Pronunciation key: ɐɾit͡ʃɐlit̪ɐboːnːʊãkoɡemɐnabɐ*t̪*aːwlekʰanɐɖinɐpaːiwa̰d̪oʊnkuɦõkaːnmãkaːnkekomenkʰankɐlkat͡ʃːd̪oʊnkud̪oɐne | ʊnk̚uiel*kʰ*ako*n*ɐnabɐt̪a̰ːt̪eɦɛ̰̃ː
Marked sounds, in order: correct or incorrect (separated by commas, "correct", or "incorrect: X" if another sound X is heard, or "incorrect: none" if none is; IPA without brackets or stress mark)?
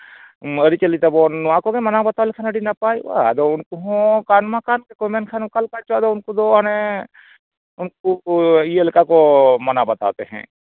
correct, incorrect: k, incorrect: m